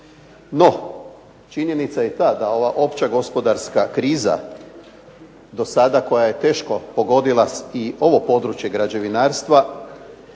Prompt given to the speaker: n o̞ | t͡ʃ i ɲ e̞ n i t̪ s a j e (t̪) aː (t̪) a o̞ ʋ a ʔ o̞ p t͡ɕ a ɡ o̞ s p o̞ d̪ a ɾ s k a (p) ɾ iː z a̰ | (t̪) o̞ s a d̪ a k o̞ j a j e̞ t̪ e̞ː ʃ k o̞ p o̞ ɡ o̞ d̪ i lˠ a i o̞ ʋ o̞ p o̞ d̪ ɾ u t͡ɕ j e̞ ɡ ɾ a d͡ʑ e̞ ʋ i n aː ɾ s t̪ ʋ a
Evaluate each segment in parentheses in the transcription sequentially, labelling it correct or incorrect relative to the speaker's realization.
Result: correct, incorrect, incorrect, incorrect

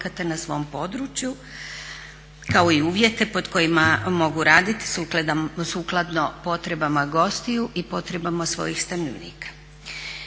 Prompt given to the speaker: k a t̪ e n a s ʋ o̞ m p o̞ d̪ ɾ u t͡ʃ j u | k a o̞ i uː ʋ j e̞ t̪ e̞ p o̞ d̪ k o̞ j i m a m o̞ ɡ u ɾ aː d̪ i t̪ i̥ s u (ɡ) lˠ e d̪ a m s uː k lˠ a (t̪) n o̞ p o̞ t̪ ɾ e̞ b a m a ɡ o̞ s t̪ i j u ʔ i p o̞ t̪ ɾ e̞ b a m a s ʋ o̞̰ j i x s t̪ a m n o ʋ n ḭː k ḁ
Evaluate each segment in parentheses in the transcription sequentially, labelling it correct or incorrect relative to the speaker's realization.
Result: incorrect, incorrect

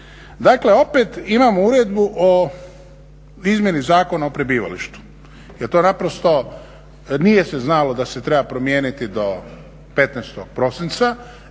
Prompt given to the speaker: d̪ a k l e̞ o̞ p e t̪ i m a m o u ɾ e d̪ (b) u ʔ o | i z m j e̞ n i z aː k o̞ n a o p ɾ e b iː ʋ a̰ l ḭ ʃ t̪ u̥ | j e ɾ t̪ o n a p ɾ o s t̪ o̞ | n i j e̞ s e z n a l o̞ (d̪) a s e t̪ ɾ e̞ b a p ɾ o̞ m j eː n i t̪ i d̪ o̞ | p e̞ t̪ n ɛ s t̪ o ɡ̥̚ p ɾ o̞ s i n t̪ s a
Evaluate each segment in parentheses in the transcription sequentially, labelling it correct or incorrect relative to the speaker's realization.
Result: correct, correct

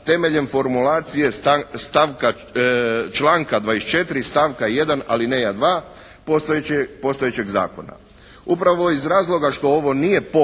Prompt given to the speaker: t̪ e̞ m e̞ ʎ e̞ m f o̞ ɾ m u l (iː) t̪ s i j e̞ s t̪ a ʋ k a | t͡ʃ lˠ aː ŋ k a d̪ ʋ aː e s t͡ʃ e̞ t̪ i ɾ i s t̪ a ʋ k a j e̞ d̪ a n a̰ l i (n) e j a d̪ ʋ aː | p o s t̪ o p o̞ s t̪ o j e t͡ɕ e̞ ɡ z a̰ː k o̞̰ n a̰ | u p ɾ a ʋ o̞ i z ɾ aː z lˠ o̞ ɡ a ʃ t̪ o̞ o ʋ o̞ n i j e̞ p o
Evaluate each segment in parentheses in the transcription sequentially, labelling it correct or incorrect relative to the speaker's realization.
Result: incorrect, correct

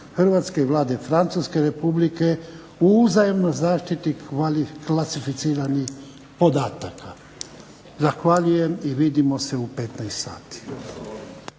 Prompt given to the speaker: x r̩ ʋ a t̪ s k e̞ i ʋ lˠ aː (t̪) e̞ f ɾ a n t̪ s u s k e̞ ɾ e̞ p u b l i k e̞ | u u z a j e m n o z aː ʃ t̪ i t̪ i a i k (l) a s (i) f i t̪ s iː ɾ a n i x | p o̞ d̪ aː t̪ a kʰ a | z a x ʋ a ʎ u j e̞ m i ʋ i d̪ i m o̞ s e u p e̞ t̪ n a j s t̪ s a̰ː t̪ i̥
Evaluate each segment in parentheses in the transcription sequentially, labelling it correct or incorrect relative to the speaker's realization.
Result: incorrect, correct, correct

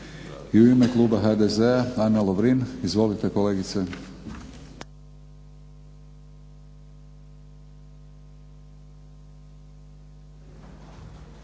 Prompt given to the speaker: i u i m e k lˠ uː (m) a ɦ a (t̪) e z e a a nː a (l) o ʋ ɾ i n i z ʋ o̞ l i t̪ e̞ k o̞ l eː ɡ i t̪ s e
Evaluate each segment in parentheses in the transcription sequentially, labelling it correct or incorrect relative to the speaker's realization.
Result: incorrect, incorrect, correct

